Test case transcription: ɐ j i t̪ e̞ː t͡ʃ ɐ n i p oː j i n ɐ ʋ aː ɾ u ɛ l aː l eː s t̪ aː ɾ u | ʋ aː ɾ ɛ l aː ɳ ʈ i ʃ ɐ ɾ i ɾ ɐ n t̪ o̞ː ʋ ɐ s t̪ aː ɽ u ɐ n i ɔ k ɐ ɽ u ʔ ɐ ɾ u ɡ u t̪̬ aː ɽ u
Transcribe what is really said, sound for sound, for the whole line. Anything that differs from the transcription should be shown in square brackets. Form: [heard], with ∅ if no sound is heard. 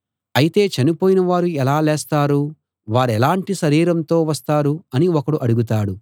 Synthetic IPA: ɐ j i t̪ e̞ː t͡ʃ ɐ n i p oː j i n ɐ ʋ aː ɾ u ɛ l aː l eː s t̪ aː ɾ u | ʋ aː ɾ ɛ l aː ɳ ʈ i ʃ ɐ ɾ [iː] ɾ ɐ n t̪ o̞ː ʋ ɐ s t̪ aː [ɾ] u ɐ n i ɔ k ɐ ɽ u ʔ ɐ [ɽ] u ɡ u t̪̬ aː ɽ u

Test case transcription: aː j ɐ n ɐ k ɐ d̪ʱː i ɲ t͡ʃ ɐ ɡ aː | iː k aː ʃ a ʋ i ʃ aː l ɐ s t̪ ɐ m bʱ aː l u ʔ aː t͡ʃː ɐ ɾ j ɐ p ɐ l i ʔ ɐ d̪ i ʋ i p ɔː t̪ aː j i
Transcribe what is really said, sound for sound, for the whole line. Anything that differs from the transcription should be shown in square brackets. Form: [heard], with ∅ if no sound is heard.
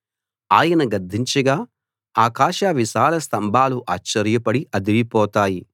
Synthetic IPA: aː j ɐ n ɐ [ɡ] ɐ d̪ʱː i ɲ t͡ʃ ɐ ɡ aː | [aː] k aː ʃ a ʋ i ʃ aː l ɐ s t̪ ɐ m bʱ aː l u ʔ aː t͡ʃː ɐ ɾ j ɐ p ɐ [ɽ] i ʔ ɐ d̪ i ʋ i p ɔː t̪ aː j i

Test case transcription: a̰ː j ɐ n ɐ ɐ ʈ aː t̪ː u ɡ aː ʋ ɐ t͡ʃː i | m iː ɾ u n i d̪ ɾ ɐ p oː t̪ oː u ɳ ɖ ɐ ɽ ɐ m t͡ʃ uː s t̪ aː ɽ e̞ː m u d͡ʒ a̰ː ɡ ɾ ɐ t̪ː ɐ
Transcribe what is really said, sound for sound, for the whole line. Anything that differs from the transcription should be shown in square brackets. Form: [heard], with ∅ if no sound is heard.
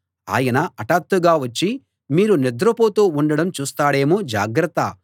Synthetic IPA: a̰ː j ɐ n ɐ ɐ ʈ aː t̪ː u ɡ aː ʋ ɐ t͡ʃː i | m iː ɾ u n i d̪ ɾ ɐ p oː t̪ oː u ɳ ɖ ɐ ɽ ɐ m t͡ʃ uː s t̪ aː ɽ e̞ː m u d͡ʒ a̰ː ɡ ɾ ɐ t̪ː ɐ

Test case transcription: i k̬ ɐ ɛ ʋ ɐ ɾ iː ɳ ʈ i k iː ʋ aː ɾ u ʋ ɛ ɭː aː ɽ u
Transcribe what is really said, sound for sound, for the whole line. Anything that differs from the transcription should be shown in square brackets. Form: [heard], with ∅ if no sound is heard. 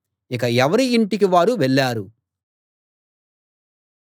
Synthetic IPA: i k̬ ɐ ɛ ʋ ɐ ɾ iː ɳ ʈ i k [i] ʋ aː ɾ u ʋ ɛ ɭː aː [ɾ] u

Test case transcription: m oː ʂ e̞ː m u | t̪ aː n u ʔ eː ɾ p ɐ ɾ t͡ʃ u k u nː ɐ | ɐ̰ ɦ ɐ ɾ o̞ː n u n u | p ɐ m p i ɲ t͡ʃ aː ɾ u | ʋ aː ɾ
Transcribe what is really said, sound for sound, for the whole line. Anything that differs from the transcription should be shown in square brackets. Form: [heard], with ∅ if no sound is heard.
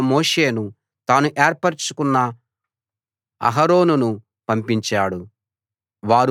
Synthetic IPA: m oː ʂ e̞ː [n] u | t̪ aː n u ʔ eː ɾ p ɐ ɾ t͡ʃ u k u nː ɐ | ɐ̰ ɦ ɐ ɾ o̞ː n u n u | p ɐ m p i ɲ t͡ʃ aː [ɽ] u | ʋ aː ɾ

